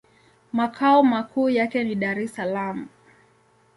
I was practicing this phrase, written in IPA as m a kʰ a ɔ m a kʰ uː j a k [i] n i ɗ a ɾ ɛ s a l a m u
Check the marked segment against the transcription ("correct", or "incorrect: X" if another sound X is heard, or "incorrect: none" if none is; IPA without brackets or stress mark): incorrect: ɛ